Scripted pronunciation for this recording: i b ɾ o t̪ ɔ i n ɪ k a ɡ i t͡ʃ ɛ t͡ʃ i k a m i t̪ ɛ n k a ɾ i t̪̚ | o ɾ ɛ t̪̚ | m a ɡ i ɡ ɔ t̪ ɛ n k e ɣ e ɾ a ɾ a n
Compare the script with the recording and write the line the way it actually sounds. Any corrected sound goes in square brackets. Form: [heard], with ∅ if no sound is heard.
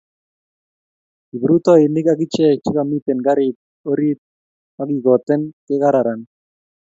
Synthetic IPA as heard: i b ɾ [u] t̪ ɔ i n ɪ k a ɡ i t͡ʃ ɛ t͡ʃ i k a m i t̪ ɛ n [ɡ] a ɾ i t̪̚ | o ɾ [i] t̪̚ | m a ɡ i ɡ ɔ t̪ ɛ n k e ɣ [a] ɾ a ɾ a n